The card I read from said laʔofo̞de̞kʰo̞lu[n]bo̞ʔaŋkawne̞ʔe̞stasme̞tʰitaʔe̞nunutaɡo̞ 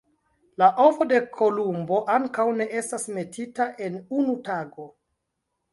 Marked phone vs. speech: incorrect: m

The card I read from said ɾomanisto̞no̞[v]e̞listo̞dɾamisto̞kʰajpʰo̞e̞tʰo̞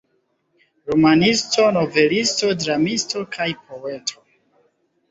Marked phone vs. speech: correct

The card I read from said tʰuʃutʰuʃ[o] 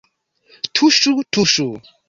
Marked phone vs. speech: incorrect: u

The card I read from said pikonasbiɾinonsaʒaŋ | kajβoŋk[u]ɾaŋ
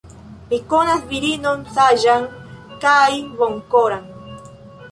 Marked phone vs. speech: incorrect: o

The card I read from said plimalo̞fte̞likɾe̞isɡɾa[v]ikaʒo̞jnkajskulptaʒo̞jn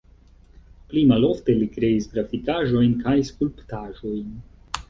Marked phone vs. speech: incorrect: f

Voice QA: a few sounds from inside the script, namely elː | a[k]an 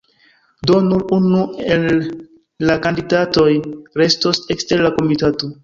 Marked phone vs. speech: correct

